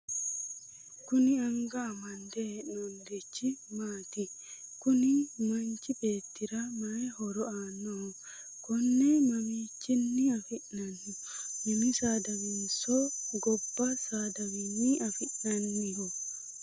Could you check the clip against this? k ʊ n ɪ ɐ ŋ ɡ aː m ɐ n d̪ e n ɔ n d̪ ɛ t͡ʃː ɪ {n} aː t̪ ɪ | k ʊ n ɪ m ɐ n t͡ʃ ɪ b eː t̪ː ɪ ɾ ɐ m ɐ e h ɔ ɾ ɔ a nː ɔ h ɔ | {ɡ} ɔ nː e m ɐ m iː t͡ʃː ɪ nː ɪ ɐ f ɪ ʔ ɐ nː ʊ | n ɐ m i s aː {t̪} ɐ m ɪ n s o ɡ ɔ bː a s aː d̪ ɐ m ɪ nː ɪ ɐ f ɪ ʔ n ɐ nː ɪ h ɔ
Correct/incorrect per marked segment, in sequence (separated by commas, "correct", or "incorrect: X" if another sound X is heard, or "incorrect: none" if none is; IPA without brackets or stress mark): incorrect: m, incorrect: k, incorrect: d̪